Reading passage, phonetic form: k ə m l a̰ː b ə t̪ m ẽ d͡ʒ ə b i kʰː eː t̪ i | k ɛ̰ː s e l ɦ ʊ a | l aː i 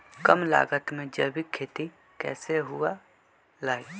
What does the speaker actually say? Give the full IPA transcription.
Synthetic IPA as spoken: k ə m l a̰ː ɡ ə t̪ m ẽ d͡ʒ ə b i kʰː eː t̪ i | k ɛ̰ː s e ɦ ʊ a | l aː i